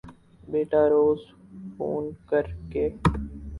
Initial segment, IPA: b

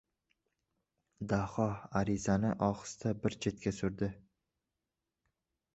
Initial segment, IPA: d̪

